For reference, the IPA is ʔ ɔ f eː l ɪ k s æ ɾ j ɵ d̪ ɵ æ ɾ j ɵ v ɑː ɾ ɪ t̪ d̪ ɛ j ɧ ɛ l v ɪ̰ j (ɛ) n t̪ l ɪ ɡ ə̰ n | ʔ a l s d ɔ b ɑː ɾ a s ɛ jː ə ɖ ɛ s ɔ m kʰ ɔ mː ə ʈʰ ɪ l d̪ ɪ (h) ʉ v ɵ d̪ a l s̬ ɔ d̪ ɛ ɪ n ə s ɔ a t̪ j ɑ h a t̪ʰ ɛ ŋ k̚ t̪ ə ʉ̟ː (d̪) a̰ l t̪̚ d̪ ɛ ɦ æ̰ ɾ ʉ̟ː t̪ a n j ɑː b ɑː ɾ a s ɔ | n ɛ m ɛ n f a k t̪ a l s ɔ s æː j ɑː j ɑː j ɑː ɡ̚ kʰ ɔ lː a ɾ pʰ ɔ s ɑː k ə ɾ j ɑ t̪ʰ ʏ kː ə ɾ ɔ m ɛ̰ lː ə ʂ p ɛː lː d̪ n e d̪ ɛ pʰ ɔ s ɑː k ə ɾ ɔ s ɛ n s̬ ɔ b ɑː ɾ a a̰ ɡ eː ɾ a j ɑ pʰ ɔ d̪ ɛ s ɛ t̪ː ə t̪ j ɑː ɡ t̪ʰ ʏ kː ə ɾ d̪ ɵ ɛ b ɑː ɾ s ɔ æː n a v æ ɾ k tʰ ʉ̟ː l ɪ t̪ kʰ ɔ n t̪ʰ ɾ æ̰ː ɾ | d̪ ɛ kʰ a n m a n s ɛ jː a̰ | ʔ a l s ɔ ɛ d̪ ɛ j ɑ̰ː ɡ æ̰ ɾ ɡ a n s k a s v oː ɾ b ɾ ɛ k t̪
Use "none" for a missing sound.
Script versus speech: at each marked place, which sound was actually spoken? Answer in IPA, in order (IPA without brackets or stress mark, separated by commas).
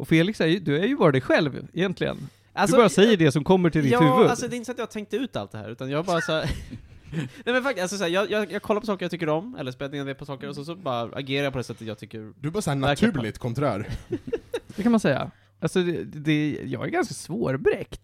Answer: ɛ, h, t̪